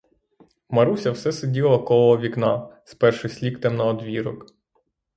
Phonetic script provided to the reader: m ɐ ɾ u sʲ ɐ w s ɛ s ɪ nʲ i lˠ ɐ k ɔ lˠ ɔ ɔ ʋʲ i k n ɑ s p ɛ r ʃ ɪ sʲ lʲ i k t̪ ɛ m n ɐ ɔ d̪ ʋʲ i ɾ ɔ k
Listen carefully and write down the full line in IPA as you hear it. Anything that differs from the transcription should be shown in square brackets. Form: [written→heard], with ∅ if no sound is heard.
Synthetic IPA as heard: m ɐ ɾ u sʲ ɐ w s ɛ s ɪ [nʲ→dʲ] i lˠ ɐ k ɔ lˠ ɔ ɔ ʋʲ i k n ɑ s p ɛ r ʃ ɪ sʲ lʲ i k t̪ ɛ m n ɐ ɔ d̪ ʋʲ i ɾ ɔ k